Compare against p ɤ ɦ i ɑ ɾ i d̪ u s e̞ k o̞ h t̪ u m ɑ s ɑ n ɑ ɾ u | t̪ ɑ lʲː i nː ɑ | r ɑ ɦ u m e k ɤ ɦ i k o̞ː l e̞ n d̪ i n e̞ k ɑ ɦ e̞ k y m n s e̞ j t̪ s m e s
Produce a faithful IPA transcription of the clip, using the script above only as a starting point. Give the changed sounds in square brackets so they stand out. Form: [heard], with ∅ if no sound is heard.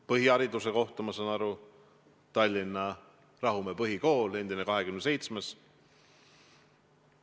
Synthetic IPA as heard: p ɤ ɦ i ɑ ɾ i d̪ u s e̞ k o̞ h t̪ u m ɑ s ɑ n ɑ ɾ u | t̪ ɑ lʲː i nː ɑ | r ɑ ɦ u m e [p] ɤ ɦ i k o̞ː l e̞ n d̪ i n e̞ k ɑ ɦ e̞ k y m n s e̞ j t̪ s m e s